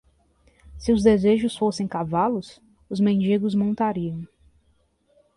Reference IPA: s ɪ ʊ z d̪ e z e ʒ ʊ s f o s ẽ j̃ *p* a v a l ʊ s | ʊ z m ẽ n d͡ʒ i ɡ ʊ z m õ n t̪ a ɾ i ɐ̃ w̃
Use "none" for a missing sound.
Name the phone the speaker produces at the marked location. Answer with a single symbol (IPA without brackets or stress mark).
k